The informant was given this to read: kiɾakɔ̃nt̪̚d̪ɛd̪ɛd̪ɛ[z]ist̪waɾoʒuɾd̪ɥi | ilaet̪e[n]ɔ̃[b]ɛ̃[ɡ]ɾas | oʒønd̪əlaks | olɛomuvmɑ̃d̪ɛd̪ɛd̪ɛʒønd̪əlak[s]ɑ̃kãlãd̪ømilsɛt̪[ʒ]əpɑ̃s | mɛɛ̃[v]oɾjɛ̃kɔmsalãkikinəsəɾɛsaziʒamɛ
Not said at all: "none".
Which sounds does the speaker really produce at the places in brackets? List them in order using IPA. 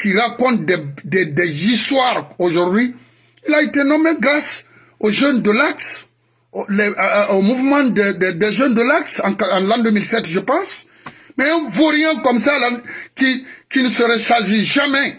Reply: z, n, m, ɡ, s, ʒ, v

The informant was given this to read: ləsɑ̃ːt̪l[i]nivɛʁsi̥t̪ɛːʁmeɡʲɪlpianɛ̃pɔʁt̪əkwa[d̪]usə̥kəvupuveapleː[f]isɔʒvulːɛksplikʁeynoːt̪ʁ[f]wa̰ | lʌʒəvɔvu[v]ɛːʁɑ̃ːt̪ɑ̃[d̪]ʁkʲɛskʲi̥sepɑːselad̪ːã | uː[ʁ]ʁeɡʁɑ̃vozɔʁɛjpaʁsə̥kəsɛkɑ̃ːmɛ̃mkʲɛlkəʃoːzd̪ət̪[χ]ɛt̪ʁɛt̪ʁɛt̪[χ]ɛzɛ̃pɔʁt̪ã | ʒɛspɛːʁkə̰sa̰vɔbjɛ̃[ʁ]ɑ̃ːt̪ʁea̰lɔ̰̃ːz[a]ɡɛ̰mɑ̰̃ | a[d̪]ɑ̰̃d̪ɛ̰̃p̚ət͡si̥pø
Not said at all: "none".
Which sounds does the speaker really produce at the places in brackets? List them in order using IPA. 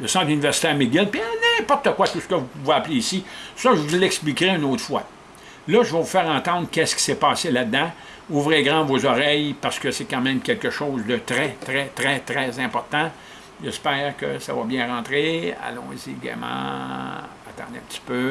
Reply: y, t̪, s, f, f, d̪, v, ʁ, ʁ, ʁ, i, t̪

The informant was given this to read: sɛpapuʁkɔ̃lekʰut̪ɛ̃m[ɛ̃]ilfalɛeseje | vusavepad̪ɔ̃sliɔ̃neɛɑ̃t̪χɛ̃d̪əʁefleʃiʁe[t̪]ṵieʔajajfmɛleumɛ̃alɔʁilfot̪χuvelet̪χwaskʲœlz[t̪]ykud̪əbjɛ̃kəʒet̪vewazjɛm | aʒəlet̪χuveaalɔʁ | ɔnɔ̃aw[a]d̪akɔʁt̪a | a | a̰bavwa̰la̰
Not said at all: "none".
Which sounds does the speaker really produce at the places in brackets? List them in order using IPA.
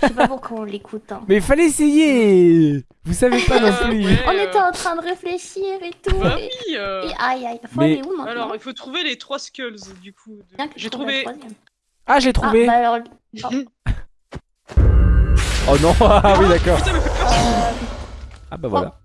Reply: ɛ, t̪, d̪, i

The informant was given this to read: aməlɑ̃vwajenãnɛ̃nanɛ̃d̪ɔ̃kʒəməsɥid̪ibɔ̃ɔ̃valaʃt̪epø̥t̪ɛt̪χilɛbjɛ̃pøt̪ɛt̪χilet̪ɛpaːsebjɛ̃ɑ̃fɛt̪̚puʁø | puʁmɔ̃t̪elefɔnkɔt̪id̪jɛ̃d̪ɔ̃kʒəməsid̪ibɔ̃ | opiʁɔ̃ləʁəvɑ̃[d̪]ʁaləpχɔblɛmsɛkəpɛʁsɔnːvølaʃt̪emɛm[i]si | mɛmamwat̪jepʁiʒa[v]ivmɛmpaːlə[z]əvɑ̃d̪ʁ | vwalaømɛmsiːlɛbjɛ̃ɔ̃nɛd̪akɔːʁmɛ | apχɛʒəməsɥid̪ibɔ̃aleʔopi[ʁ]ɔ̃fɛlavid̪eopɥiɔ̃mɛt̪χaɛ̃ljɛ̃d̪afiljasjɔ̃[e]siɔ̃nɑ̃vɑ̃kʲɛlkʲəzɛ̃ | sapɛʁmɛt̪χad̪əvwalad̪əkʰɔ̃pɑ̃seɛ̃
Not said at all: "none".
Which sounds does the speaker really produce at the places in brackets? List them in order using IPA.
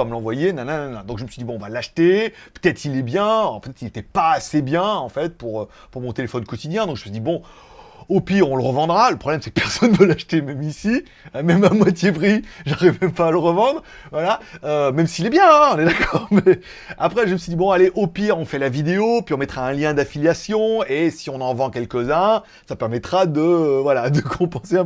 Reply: d̪, i, ʁ, ʁ, ʁ, e

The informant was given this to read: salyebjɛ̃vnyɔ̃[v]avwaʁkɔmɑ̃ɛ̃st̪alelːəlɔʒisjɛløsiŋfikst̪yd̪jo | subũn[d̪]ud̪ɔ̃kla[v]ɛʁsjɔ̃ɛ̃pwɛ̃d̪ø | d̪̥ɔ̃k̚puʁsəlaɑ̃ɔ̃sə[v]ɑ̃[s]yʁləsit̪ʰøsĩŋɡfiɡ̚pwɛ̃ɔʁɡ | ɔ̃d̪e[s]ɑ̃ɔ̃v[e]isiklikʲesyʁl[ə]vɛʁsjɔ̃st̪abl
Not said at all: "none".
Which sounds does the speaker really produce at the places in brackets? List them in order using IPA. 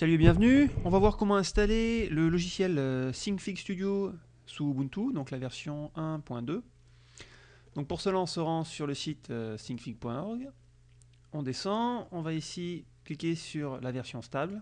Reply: v, t̪, v, ʁ, s, s, a, a

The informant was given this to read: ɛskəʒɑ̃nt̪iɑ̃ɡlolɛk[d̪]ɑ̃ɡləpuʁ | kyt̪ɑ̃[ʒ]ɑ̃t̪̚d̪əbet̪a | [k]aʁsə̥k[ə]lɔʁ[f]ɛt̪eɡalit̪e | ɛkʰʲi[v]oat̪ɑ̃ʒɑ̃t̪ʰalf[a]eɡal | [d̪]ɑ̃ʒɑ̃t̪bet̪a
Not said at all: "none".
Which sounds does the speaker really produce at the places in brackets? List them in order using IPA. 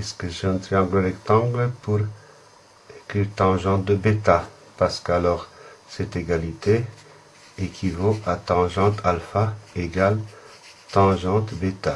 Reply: t̪, ʒ, p, a, s, v, a, t̪

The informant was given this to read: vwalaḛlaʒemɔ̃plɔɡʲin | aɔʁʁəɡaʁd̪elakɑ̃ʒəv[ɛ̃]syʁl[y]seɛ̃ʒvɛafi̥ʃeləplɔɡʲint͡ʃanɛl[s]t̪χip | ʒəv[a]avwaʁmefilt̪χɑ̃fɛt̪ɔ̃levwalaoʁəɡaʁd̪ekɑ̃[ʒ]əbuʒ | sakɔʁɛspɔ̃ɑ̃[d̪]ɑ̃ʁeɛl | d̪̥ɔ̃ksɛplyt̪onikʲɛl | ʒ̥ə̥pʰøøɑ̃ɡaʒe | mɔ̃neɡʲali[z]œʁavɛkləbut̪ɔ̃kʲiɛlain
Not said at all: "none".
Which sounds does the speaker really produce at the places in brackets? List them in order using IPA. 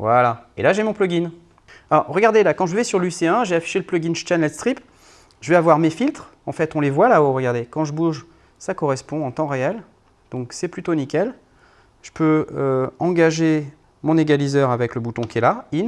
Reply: ɛ, y, s, ɛ, ʒ, t̪, z

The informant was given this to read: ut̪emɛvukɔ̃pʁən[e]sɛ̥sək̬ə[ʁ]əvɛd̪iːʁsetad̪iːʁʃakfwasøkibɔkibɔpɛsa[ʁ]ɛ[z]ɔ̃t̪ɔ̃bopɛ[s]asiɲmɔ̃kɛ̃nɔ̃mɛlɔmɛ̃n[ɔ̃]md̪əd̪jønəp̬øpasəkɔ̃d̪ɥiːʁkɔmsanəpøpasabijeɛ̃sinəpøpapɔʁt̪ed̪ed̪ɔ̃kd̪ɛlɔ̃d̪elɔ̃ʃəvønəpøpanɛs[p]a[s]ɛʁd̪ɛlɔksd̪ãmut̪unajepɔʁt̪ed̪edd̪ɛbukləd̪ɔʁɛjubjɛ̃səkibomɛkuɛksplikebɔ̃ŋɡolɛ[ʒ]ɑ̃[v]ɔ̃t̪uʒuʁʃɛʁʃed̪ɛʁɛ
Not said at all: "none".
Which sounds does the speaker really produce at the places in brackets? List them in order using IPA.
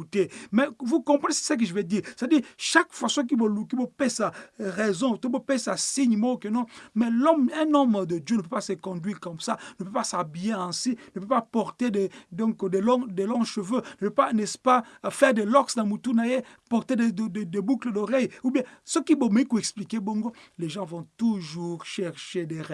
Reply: e, ʒ, ʁ, z, s, ɔ, p, f, ʒ, v

